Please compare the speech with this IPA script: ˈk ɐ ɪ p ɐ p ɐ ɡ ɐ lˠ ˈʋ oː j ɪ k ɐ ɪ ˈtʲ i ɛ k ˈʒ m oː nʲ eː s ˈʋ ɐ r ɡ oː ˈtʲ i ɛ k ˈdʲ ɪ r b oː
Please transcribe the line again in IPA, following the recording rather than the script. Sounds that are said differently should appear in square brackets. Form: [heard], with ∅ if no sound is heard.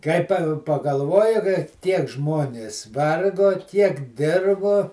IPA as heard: ˈk ɐ ɪ p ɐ p ɐ ɡ ɐ lˠ ˈʋ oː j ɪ k ɐ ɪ ˈtʲ i ɛ k ˈʒ m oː nʲ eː s ˈʋ ɐ r ɡ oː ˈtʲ i ɛ k ˈdʲ ɪ r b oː